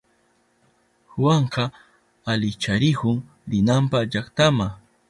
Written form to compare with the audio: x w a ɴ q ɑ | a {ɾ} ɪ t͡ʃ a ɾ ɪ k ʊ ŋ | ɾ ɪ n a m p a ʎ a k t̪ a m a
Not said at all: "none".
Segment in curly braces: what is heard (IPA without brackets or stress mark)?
l